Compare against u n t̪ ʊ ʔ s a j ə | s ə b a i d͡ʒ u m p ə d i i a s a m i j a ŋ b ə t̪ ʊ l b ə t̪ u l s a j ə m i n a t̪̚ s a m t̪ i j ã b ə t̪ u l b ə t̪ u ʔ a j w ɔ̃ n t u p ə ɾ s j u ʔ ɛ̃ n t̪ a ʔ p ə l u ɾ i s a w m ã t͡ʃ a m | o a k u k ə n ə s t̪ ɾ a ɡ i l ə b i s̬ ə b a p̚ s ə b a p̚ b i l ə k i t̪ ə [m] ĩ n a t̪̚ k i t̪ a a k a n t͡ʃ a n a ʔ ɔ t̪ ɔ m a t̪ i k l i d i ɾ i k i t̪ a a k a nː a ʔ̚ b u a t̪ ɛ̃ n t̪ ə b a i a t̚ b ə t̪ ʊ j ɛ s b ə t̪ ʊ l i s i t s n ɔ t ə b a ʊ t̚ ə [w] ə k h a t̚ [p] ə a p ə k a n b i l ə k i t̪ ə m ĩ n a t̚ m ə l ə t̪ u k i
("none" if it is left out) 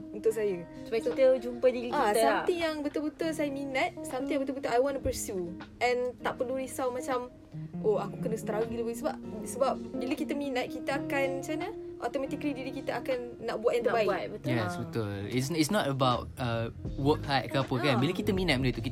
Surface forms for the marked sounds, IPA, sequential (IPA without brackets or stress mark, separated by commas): m, w, k